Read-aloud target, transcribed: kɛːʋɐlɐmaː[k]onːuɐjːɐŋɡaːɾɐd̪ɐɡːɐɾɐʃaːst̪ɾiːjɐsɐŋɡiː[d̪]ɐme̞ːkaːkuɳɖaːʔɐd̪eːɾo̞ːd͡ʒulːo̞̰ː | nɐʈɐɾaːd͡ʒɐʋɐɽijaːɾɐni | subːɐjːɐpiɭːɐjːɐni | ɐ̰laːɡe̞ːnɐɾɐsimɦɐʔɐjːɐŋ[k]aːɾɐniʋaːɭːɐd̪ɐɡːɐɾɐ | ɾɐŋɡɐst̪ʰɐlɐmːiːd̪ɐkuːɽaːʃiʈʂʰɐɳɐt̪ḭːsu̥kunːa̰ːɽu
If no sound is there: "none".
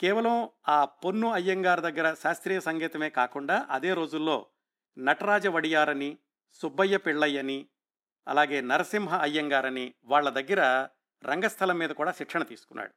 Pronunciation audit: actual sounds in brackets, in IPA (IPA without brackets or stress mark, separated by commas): p, t̪, ɡ